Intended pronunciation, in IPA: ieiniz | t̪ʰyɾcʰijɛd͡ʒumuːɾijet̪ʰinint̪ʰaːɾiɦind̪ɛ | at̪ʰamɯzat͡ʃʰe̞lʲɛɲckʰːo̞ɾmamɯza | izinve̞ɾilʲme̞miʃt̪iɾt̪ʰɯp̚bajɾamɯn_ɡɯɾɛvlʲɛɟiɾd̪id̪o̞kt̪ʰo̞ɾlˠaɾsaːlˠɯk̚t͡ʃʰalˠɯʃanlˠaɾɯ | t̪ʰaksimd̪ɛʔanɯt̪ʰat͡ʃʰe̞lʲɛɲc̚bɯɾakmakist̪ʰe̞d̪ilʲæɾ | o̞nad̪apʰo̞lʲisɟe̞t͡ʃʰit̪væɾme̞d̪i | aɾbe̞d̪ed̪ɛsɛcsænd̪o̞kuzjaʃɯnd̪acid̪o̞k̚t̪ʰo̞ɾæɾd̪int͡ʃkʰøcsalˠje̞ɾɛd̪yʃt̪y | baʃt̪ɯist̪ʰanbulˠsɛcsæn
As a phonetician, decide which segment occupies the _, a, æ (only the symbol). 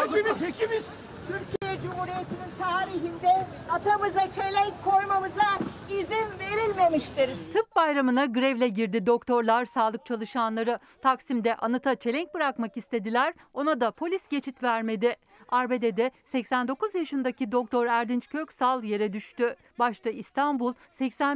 a